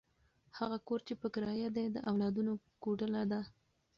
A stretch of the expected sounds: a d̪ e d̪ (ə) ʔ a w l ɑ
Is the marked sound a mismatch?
no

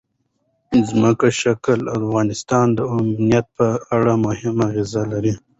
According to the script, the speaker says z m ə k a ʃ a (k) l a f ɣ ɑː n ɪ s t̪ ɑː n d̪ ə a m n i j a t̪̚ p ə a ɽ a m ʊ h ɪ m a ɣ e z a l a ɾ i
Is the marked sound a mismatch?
no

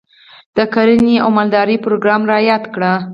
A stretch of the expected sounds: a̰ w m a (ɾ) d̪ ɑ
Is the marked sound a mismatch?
yes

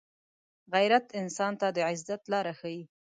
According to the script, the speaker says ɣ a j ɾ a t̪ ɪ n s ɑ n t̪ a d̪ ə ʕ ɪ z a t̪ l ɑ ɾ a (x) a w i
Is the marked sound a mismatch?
no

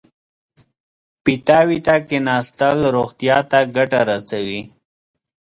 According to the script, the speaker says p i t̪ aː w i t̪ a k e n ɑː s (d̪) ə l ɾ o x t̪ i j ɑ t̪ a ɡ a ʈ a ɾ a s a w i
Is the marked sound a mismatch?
yes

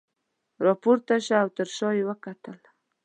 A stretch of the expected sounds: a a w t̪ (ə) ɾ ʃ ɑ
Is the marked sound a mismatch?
no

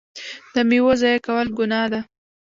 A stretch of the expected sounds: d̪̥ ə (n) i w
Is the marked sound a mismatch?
yes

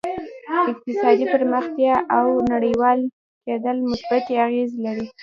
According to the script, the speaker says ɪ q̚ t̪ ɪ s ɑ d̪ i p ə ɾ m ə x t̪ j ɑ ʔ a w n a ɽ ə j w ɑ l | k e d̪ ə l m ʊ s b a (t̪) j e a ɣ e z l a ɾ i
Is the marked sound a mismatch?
no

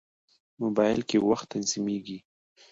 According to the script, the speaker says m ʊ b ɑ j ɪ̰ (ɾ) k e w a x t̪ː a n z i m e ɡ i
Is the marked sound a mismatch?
yes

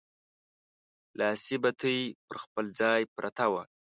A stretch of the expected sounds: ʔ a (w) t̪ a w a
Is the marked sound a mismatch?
yes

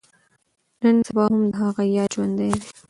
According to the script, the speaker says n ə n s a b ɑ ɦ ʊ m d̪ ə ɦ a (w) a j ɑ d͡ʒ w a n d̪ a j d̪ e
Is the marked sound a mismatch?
yes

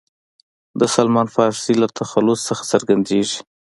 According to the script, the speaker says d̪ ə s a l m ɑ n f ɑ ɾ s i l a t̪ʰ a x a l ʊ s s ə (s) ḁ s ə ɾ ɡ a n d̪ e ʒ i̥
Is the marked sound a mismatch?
yes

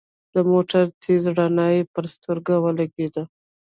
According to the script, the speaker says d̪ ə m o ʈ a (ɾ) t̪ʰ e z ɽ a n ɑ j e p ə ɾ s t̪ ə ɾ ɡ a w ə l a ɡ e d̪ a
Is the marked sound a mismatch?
no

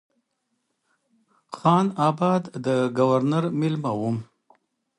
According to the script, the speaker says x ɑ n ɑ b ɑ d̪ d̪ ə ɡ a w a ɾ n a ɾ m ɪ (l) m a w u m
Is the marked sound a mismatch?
no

